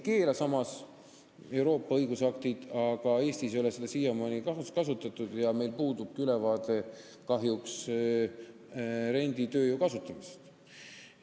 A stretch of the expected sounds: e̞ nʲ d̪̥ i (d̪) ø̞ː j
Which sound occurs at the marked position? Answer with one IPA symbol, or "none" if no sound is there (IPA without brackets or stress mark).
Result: t̪